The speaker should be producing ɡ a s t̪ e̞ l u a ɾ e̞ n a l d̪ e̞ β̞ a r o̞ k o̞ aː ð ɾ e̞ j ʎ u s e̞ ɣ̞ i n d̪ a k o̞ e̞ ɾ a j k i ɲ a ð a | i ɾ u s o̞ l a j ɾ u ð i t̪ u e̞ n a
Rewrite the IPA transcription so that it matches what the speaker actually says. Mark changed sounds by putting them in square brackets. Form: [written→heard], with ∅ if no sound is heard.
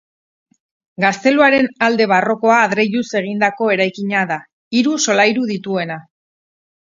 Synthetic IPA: ɡ a s t̪ e̞ l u a ɾ e̞ n a l d̪ e̞ β̞ a r o̞ k o̞ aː ð ɾ e̞ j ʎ u s e̞ ɣ̞ i n d̪ a k o̞ e̞ ɾ a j k i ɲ a ð a | i ɾ u s o̞ l a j ɾ u ð i t̪ u e̞ n a

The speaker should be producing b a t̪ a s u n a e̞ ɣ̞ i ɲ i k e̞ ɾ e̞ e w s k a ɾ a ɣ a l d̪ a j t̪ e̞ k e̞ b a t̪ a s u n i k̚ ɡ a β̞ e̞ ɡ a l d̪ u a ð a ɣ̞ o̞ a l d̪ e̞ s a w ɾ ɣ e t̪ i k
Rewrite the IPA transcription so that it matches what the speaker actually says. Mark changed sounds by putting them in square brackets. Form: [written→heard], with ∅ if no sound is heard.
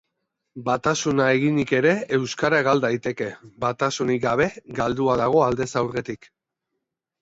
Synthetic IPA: b a t̪ a s u n a e̞ ɣ̞ i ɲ i k e̞ ɾ e̞ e w s k a ɾ a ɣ a l d̪ a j t̪ e̞ k e̞ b a t̪ a s u n i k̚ ɡ a β̞ e̞ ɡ a l d̪ u a ð a ɣ̞ o̞ a l d̪ e̞ s a w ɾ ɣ e t̪ i k

